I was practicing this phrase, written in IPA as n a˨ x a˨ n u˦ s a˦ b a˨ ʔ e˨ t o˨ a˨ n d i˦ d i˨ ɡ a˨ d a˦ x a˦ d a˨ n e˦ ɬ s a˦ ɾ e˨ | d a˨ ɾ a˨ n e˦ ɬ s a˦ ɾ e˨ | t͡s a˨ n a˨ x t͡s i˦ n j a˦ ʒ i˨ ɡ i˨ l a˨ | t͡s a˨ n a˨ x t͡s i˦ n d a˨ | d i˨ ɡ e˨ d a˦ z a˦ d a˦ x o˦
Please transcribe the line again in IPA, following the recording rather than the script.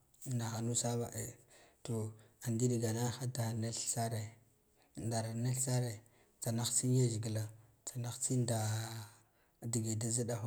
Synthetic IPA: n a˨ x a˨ n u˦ s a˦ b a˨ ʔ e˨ t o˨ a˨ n d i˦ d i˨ ɡ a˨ n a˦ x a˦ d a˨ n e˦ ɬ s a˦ ɾ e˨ | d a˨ ɾ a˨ n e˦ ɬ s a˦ ɾ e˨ | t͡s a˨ n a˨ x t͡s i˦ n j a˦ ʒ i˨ ɡ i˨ l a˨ | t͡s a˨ n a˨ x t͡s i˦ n d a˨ | d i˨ ɡ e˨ d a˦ z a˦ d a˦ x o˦